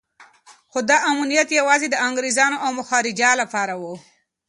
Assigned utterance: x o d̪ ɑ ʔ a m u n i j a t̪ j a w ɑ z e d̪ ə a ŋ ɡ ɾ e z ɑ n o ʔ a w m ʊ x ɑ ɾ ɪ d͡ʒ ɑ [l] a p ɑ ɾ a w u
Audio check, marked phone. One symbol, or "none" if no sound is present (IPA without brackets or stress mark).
l